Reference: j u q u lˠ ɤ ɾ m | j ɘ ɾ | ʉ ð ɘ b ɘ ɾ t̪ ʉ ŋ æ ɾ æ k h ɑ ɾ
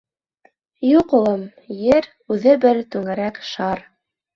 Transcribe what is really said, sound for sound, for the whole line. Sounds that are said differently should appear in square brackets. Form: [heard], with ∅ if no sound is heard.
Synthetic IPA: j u q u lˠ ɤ [∅] m | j ɘ ɾ | ʉ ð ɘ b ɘ ɾ t̪ ʉ ŋ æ ɾ æ k [ʃ] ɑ ɾ